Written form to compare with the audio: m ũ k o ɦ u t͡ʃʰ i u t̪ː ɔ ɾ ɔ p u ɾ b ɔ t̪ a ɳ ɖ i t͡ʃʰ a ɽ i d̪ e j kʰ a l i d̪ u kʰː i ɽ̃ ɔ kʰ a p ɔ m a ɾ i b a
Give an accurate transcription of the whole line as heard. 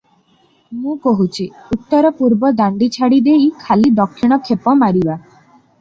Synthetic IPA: m ũ k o ɦ u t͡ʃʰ i u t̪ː ɔ ɾ ɔ p u ɾ b ɔ d̪ a ɳ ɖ i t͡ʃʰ a ɽ i d̪ e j kʰ a l i d̪ ɔ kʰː i ɽ̃ ɔ kʰ e p ɔ m a ɾ i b a